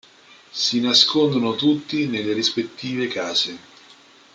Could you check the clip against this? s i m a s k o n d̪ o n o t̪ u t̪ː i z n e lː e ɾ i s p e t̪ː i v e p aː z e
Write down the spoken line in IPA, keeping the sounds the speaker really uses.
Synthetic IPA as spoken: s i n a s k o n d̪ o n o t̪ u t̪ː i n e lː e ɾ i s p e t̪ː iː v e k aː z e